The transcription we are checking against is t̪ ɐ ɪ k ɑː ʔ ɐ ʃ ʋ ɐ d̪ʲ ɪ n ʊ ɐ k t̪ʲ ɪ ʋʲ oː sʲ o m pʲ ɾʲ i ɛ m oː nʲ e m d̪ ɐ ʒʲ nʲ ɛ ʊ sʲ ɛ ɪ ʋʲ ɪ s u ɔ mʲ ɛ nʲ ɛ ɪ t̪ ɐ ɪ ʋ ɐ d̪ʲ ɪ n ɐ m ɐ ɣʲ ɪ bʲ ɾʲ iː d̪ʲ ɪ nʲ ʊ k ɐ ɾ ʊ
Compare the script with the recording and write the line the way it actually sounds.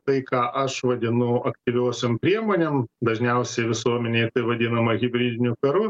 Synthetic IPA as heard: t̪ ɐ ɪ k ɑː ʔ ɐ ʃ ʋ ɐ d̪ʲ ɪ n ʊ ɐ k t̪ʲ ɪ ʋʲ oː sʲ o m pʲ ɾʲ i ɛ m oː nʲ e m d̪ ɐ ʒʲ nʲ ɛ ʊ sʲ ɛ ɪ ʋʲ ɪ s u ɔ mʲ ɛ nʲ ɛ ɪ t̪ ɐ ɪ ʋ ɐ d̪ʲ ɪ n ɐ m ɐ ɣʲ ɪ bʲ ɾʲ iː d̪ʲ ɪ nʲ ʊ k ɐ ɾ ʊ